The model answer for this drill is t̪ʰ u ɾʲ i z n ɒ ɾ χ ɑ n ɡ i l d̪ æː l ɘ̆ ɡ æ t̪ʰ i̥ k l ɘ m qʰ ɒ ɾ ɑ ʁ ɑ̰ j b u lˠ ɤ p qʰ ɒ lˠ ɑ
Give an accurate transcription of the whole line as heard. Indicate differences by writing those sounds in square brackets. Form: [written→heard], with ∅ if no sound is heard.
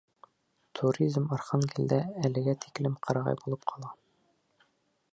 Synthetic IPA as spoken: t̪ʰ u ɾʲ i z [n→m] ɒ ɾ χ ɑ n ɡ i l d̪ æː l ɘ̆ ɡ æ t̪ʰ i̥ k l ɘ m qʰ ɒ ɾ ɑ ʁ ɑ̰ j b u lˠ ɤ p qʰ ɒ lˠ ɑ